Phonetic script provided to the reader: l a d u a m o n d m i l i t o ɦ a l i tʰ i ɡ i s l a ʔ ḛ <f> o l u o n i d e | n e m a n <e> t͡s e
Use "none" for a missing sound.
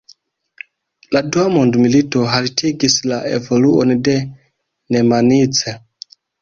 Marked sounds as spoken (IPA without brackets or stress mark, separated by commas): v, i